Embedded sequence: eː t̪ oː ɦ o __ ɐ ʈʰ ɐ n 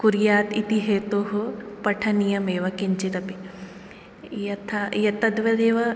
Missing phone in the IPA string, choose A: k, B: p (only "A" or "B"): B